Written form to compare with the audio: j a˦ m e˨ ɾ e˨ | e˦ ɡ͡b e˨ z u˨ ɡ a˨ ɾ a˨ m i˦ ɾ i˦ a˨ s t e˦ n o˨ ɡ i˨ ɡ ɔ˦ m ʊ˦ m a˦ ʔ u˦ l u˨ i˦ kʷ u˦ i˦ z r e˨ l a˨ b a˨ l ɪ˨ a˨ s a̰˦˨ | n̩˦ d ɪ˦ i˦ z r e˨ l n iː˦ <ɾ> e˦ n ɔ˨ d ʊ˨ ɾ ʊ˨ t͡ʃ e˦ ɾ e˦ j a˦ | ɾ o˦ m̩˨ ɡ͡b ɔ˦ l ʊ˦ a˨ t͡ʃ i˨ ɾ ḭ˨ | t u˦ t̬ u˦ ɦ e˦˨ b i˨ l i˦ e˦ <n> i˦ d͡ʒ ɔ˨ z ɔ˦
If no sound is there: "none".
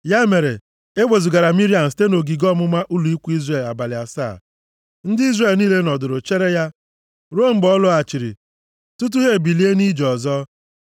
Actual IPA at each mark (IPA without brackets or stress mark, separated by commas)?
l, n